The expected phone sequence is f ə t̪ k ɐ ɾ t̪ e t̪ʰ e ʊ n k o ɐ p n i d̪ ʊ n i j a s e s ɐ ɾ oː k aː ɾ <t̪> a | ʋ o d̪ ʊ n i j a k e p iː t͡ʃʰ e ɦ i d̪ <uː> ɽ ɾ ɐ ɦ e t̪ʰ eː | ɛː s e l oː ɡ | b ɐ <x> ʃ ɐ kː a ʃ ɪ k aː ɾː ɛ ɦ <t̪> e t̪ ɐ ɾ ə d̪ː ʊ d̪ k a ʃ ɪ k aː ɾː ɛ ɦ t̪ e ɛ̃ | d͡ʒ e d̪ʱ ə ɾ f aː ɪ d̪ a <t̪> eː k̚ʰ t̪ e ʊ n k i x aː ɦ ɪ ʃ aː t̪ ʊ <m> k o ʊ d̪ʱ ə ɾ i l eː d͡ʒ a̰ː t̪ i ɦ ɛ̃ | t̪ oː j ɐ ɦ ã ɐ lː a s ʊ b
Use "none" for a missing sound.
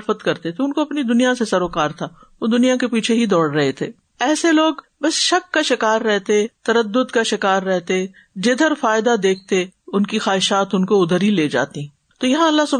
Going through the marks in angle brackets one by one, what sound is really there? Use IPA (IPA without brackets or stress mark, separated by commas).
t̪ʰ, ɔː, s, t̪, d̪, n